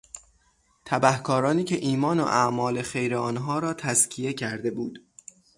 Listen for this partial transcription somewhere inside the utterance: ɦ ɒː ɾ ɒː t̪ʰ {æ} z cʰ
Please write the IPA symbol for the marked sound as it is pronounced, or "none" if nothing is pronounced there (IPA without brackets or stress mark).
æ